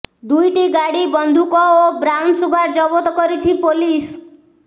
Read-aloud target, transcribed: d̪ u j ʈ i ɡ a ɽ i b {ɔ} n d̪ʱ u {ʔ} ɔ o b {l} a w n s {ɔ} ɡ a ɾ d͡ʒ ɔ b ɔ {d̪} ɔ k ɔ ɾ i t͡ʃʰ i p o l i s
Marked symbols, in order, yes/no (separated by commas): yes, no, no, no, no